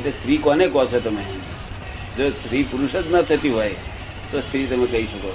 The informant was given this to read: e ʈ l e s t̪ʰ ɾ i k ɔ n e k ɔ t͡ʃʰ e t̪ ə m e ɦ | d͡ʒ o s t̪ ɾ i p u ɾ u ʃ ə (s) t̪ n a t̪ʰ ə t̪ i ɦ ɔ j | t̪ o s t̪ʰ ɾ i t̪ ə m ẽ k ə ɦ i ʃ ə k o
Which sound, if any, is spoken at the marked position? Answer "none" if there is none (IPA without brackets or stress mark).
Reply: none